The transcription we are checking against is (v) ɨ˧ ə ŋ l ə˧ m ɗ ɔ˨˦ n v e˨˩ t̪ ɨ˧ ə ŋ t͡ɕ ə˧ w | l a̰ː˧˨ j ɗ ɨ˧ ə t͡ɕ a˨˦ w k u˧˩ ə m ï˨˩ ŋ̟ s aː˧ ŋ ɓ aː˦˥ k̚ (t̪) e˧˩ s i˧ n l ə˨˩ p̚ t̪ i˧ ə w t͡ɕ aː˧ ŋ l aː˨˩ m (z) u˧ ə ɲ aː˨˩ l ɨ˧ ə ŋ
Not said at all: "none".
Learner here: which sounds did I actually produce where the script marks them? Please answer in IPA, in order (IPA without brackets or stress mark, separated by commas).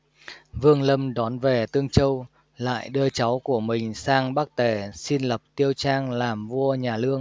v, t̪, v